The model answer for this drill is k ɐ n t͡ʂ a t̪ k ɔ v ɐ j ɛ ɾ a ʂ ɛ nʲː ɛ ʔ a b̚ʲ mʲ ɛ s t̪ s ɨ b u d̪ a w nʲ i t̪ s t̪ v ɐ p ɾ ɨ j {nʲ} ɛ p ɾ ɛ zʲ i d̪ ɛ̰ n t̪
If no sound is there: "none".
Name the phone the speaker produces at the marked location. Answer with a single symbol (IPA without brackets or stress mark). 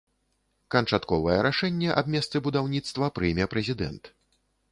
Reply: mʲ